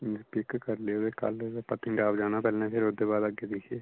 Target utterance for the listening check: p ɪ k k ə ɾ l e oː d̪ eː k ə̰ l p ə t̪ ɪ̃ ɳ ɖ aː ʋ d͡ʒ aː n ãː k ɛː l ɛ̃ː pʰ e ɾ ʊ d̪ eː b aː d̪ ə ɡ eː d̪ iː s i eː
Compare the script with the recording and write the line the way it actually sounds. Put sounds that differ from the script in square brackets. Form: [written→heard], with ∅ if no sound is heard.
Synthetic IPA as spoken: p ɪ k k ə ɾ l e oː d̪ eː k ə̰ l p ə t̪ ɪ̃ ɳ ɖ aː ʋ d͡ʒ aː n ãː [k→p] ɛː l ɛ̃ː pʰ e ɾ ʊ d̪ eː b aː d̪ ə ɡ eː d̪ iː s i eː

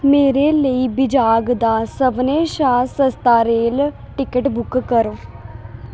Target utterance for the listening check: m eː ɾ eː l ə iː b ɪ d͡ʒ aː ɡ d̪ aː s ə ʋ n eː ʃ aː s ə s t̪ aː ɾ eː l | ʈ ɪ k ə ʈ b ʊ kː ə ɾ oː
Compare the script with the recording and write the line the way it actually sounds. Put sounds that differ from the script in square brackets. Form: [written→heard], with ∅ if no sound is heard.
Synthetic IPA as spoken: m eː ɾ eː l ə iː b ɪ d͡ʒ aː ɡ d̪ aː s ə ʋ n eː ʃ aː s ə s t̪ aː ɾ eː l | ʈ ɪ k ə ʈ b ʊ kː ə ɾ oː

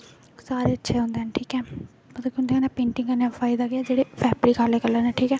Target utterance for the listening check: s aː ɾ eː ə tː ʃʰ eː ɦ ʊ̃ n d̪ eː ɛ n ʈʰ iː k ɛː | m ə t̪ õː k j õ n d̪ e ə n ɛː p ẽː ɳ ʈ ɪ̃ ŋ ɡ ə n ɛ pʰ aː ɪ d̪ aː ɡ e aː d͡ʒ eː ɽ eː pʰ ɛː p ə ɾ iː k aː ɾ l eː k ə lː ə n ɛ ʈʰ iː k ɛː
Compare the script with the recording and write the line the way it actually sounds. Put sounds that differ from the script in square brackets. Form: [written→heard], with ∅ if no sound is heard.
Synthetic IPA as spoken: s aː ɾ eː ə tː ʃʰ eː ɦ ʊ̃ n d̪ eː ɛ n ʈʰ iː k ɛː | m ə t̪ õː k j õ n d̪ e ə n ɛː p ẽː ɳ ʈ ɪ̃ ŋ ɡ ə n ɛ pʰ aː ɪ d̪ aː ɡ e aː d͡ʒ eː ɽ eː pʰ ɛː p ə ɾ iː k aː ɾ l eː k ə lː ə n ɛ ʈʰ iː k ɛː

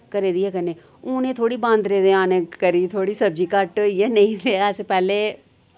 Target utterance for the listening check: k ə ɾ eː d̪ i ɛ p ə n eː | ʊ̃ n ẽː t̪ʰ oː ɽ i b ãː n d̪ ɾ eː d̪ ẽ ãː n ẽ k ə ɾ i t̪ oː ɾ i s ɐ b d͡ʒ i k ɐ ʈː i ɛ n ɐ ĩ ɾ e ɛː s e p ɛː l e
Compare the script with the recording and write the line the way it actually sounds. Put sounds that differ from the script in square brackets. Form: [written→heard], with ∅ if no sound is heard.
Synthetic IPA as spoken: k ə ɾ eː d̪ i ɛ [p→k] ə n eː | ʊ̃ n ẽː t̪ʰ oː ɽ i b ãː n d̪ ɾ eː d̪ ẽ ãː n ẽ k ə ɾ i [t̪→t̪ʰ] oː [ɾ→ɽ] i s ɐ b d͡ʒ i k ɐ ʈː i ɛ n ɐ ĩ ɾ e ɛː s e p ɛː l e

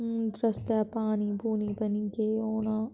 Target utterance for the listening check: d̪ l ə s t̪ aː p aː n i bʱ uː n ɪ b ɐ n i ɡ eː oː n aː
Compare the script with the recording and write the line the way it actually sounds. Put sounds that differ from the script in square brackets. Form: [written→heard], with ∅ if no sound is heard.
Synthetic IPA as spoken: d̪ [l→ɾ] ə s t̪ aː p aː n i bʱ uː n [ɪ→i] b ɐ n i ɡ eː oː n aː

